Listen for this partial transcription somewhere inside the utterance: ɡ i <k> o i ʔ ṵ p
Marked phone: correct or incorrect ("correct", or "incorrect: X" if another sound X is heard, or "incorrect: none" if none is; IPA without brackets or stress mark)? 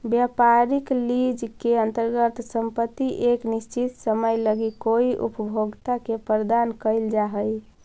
correct